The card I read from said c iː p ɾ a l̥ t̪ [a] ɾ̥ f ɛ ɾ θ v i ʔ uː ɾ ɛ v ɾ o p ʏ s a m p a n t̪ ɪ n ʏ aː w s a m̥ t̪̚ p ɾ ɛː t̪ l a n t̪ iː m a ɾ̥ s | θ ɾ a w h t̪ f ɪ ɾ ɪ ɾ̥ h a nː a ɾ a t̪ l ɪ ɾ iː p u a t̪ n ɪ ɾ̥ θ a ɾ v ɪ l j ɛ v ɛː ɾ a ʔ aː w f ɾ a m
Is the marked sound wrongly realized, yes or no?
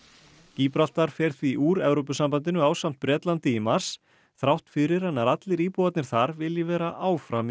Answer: no